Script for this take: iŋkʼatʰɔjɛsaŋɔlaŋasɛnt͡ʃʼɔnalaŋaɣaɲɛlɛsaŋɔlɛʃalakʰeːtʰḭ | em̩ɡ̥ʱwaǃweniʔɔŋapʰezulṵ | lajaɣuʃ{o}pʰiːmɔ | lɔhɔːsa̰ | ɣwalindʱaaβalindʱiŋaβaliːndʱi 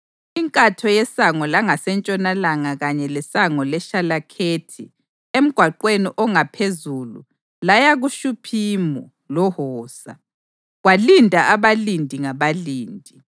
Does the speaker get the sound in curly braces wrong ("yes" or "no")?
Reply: yes